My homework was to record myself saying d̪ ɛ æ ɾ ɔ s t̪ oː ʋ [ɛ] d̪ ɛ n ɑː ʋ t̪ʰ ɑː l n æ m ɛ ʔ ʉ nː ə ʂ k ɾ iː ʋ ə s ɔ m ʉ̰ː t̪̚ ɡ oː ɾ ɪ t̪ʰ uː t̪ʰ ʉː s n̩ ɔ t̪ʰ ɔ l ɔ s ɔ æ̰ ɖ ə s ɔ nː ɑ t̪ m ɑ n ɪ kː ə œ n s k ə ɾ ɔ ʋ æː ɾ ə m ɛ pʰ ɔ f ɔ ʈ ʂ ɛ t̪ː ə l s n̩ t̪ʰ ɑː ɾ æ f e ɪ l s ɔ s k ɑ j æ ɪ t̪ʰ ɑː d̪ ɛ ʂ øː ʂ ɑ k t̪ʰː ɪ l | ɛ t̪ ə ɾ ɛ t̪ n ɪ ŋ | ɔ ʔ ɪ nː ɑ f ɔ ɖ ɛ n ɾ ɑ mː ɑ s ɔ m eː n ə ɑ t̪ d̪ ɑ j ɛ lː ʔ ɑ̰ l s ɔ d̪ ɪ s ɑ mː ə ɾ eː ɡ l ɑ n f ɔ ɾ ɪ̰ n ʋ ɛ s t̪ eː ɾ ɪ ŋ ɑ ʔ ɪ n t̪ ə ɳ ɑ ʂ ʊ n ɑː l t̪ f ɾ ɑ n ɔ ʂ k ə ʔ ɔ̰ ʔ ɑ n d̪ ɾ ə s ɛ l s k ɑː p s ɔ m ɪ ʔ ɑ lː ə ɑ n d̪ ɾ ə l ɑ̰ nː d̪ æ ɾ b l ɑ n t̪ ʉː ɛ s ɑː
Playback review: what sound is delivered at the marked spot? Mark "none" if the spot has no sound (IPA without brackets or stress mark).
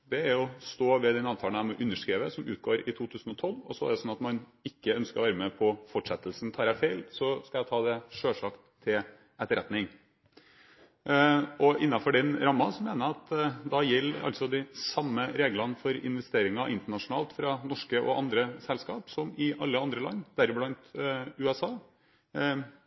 ɛ